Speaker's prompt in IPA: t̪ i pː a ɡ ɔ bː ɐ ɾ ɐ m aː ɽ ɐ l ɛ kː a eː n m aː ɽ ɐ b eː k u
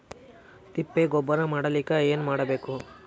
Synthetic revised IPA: t̪ i pː e ɡ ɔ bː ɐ ɾ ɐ m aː ɽ ɐ l i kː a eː n m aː ɽ ɐ b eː k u